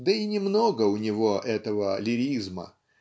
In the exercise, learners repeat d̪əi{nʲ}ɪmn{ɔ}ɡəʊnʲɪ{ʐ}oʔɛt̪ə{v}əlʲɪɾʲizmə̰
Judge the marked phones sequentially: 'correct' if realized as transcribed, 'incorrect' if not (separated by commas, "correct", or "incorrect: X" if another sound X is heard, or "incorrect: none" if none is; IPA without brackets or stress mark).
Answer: correct, incorrect: o, incorrect: v, correct